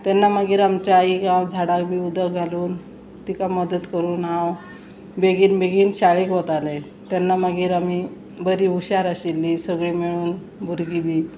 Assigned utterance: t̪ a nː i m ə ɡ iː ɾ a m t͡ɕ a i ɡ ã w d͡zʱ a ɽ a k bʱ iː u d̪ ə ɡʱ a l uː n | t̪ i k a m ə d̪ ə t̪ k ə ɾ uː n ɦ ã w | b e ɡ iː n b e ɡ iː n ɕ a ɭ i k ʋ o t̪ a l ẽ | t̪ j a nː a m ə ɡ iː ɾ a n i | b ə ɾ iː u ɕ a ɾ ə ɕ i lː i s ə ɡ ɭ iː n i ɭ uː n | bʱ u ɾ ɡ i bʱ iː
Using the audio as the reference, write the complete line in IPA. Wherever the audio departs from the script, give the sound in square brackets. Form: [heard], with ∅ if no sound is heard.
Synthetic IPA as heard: t̪ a nː [a] m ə ɡ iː ɾ a m t͡ɕ a i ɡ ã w d͡zʱ a ɽ a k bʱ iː u d̪ ə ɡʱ a l uː n | t̪ i k a m ə d̪ ə t̪ k ə ɾ uː n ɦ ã w | b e ɡ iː n b e ɡ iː n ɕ a ɭ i k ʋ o t̪ a l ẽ | t̪ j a nː a m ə ɡ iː ɾ a [m] i | b ə ɾ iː u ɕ a ɾ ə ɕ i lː i s ə ɡ ɭ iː [m] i ɭ uː n | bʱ u ɾ ɡ i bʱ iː